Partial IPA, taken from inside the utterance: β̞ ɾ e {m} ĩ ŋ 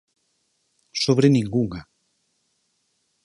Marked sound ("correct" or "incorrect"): incorrect